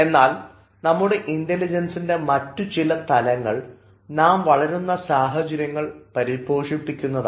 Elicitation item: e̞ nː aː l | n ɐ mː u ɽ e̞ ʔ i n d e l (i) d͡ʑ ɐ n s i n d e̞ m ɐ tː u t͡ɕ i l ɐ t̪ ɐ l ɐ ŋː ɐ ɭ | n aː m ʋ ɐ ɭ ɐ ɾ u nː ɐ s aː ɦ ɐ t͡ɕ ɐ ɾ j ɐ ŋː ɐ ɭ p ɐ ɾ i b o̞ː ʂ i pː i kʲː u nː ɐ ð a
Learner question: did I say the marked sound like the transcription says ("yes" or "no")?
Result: yes